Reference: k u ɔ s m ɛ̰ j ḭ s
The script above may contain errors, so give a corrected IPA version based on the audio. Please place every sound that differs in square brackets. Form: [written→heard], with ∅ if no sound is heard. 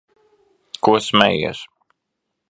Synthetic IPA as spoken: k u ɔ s m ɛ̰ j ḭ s